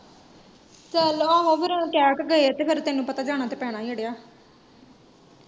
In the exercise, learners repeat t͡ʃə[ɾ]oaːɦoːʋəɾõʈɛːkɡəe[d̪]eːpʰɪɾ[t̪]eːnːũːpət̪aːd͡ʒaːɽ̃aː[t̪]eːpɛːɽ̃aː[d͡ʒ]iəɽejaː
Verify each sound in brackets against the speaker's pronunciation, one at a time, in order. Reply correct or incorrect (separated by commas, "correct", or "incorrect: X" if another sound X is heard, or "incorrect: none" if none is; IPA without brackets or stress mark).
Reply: incorrect: l, incorrect: t̪, correct, correct, incorrect: none